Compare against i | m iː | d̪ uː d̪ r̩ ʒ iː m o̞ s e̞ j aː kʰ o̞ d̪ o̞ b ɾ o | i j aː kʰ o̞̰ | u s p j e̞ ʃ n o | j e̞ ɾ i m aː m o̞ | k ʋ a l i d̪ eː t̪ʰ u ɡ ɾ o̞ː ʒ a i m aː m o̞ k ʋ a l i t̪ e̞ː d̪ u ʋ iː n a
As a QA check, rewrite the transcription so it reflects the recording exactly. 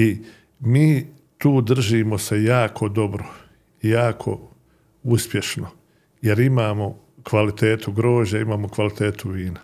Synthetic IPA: i | m iː | t̪ uː d̪ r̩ ʒ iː m o̞ s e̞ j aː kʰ o̞ d̪ o̞ b ɾ o | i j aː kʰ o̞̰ | u s p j e̞ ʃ n o | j e̞ ɾ i m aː m o̞ | k ʋ a l i t̪ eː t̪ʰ u ɡ ɾ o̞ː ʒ a i m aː m o̞ k ʋ a l i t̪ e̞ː t̪ u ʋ iː n a